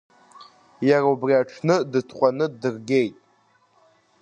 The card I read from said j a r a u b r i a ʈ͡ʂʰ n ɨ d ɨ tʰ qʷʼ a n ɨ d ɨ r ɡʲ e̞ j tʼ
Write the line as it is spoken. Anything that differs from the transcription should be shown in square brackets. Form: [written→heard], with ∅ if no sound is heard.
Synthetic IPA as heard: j a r a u b r i a ʈ͡ʂʰ n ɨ d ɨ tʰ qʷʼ a n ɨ d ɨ r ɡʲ e̞ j tʼ